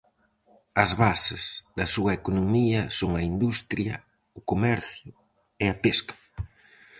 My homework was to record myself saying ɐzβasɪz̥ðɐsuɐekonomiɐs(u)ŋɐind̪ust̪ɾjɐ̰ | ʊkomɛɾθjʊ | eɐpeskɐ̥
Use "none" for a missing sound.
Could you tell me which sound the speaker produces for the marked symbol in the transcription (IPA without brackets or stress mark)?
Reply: o